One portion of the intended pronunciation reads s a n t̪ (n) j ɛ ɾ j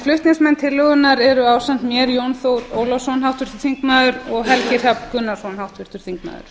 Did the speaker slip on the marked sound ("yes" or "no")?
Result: yes